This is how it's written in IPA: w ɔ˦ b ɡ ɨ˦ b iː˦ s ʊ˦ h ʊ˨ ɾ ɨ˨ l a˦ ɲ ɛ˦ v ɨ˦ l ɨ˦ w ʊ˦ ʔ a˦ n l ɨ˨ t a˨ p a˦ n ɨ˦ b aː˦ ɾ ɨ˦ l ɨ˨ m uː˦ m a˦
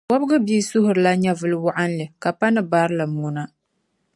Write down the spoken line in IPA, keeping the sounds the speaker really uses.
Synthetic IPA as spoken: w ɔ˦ b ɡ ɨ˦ b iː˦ s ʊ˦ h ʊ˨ ɾ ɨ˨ l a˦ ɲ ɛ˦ v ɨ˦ l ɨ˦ w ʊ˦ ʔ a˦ n l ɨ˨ k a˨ p a˦ n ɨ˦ b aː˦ ɾ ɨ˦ l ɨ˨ m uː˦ n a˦